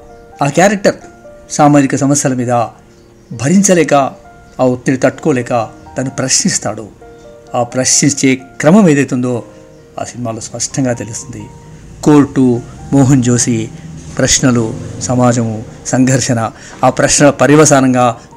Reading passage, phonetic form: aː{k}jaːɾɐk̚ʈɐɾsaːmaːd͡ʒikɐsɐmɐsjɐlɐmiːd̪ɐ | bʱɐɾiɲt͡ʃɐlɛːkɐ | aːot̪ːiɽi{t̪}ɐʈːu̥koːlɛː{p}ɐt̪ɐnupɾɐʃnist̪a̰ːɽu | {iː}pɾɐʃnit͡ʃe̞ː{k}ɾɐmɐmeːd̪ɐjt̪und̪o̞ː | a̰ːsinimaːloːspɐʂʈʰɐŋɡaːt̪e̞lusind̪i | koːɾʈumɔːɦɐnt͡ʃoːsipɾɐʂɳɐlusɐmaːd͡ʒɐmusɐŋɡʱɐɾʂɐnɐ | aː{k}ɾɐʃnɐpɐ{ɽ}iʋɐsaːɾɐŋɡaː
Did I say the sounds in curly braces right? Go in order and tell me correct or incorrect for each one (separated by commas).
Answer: correct, correct, incorrect, incorrect, correct, incorrect, incorrect